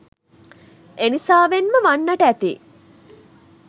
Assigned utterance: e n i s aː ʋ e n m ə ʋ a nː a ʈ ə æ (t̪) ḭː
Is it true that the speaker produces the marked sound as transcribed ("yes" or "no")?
yes